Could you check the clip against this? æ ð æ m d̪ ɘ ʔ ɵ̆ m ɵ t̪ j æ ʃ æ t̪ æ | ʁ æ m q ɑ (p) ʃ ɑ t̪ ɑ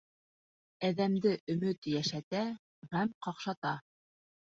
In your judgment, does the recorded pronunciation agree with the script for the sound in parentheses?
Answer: no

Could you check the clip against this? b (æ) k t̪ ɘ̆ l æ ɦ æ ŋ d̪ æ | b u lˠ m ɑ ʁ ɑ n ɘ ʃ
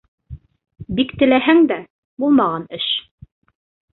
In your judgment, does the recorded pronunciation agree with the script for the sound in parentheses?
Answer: no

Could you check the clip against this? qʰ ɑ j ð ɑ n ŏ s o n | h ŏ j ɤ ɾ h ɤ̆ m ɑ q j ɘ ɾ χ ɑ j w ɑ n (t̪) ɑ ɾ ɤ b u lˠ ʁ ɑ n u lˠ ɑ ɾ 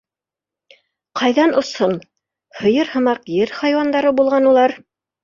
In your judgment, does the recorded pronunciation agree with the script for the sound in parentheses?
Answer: no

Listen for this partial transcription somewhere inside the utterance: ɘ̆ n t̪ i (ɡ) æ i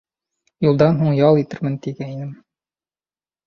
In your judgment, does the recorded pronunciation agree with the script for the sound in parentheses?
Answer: yes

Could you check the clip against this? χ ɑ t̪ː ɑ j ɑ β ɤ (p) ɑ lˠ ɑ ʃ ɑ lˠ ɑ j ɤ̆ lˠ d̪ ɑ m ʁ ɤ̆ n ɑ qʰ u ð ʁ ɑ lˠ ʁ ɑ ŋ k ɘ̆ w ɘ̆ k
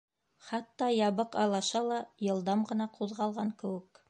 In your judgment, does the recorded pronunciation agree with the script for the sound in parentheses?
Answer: no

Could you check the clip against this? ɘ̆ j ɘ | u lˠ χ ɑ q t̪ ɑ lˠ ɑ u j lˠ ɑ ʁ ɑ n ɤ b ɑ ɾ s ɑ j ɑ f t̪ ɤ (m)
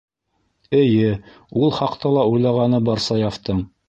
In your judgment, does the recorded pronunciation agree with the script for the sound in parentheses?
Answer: no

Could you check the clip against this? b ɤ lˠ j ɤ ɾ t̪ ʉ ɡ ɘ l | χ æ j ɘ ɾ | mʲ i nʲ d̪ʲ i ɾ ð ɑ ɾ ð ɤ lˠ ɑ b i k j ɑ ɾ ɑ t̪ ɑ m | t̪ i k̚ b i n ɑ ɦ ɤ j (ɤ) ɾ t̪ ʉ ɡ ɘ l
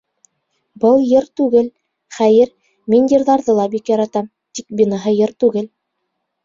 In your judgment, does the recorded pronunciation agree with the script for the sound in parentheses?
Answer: yes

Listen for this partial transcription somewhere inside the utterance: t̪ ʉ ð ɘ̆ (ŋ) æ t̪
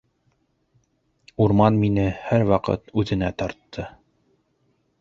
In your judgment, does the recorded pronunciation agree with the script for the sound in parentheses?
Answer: no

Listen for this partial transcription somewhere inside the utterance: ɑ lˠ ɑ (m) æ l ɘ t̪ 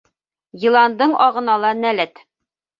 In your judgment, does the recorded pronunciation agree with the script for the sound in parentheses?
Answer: no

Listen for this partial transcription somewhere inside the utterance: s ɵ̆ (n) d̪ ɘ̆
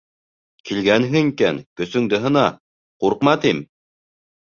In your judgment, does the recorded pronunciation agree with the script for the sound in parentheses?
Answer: no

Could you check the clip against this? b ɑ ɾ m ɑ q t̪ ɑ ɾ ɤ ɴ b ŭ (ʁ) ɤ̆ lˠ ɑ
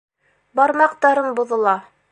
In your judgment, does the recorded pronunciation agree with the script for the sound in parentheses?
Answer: no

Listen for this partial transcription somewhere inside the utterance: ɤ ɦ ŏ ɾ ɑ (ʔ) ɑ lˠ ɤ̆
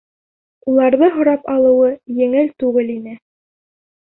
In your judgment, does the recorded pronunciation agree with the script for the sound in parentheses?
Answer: no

